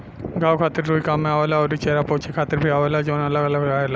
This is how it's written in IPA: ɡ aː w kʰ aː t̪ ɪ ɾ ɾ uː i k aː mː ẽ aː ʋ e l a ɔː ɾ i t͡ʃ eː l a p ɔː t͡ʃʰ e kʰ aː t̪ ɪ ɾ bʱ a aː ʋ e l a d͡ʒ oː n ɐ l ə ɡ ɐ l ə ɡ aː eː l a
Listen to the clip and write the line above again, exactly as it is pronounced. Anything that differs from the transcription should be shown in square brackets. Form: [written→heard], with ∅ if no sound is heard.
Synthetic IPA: ɡ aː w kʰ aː t̪ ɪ ɾ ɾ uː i k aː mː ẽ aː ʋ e l a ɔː ɾ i t͡ʃ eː [l→ɾ] a p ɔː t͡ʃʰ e kʰ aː t̪ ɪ ɾ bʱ [a→i] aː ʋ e l a d͡ʒ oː n ɐ l ə ɡ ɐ l ə ɡ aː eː l a